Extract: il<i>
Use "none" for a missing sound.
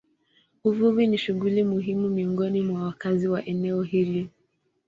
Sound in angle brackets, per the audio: i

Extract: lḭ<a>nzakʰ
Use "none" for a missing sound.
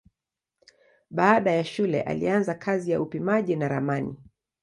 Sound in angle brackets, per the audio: a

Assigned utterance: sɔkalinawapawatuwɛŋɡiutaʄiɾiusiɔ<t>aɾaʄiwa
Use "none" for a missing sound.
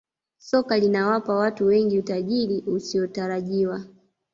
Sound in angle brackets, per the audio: t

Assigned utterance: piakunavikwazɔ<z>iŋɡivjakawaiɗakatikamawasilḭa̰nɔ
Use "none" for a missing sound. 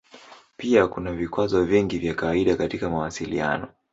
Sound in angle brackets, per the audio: v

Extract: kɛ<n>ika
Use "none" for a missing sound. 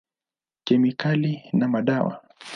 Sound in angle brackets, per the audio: m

